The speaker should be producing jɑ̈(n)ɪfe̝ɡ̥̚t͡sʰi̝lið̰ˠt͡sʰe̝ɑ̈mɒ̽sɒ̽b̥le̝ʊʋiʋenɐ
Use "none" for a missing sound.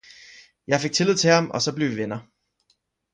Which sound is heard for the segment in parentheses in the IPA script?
none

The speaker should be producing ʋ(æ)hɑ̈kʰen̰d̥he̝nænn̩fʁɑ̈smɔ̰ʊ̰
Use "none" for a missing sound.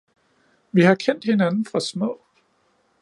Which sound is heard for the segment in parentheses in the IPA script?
i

